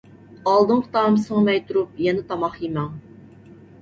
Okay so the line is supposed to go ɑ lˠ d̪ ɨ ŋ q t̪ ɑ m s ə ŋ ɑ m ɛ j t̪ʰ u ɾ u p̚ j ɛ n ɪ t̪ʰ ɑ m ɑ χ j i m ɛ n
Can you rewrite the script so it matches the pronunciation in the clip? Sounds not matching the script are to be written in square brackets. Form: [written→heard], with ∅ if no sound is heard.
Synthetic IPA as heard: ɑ lˠ d̪ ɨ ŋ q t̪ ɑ m s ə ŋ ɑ m ɛ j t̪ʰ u ɾ u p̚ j ɛ n ɪ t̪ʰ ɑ m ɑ χ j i m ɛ [n→ŋ]